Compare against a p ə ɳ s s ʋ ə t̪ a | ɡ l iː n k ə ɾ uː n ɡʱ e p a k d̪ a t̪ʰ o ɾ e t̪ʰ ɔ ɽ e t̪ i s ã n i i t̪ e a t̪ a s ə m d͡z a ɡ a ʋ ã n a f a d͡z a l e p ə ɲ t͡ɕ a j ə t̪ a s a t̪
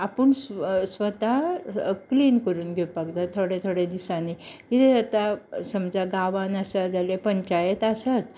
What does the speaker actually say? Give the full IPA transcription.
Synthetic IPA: a p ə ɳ s s ʋ ə t̪ a | k l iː n k ə ɾ uː n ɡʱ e p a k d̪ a t̪ʰ o ɽ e t̪ʰ o ɽ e d̪ i s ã n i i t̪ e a t̪ a s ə m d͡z a ɡ a ʋ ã n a s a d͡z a l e p ə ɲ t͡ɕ a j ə t̪ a s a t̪